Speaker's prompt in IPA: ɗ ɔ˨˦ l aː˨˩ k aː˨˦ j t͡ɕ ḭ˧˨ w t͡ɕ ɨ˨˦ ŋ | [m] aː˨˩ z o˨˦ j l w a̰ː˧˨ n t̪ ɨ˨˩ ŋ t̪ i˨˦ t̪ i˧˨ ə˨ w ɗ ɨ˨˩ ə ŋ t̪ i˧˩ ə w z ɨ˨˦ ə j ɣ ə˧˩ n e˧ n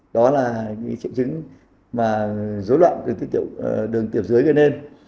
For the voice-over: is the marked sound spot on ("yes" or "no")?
yes